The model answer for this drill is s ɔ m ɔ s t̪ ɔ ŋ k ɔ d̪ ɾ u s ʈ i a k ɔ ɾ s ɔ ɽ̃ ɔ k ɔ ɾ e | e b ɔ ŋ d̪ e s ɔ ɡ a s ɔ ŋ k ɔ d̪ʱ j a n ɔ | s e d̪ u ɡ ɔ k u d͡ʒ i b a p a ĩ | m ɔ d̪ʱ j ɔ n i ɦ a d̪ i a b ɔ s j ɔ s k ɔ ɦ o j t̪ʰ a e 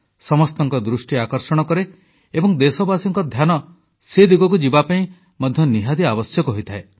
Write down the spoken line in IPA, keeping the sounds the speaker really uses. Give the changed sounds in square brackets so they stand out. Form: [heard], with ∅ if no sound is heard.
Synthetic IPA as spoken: s ɔ m ɔ s t̪ ɔ ŋ k ɔ d̪ ɾ u s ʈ i a k ɔ ɾ s ɔ ɽ̃ ɔ k ɔ ɾ e | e b ɔ ŋ d̪ e s ɔ [b] a s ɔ ŋ k ɔ d̪ʱ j a n ɔ | s e d̪ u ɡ ɔ k u d͡ʒ i b a p a ĩ | m ɔ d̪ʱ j ɔ n i ɦ a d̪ i a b ɔ s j ɔ [∅] k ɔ ɦ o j t̪ʰ a e